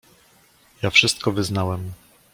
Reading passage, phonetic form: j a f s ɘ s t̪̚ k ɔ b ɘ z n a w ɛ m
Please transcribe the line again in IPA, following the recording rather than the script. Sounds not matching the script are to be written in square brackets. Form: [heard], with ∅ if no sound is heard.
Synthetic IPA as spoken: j a f [ʂ] ɘ s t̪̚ k ɔ [v] ɘ z n a w ɛ m

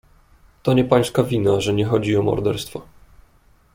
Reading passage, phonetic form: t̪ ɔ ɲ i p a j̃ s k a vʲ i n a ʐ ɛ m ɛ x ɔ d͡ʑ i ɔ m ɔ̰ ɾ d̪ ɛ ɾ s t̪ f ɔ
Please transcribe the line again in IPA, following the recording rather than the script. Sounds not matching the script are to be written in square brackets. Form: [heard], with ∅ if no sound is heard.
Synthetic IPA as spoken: t̪ ɔ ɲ [ɛ] p a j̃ s k a vʲ i n a ʐ ɛ [ɲ] ɛ x ɔ d͡ʑ i ɔ m ɔ̰ ɾ d̪ ɛ ɾ s t̪ f ɔ

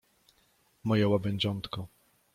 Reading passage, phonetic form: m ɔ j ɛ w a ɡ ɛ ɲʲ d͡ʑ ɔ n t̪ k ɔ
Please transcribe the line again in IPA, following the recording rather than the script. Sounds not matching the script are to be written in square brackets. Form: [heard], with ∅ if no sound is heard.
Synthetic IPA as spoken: m ɔ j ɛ w a [b] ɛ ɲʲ d͡ʑ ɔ n t̪ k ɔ

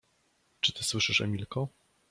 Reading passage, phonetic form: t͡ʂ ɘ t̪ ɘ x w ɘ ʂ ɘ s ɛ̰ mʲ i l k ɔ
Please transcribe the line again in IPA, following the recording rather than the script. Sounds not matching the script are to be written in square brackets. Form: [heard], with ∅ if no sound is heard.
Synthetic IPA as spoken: t͡ʂ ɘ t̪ ɘ [s] w ɘ ʂ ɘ [ʂ] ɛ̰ mʲ i l k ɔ

